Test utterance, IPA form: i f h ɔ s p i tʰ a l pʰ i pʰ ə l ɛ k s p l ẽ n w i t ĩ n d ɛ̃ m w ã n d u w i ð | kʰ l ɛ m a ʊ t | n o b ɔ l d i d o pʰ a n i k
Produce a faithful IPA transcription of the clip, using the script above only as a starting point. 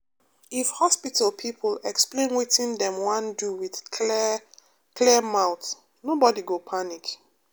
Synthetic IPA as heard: i f h ɔ s p i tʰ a l pʰ i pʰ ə l ɛ k s p l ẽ n w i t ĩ n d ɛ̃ m w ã n d u w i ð | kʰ l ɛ m a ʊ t | n o b ɔ d i ɡ o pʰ a n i k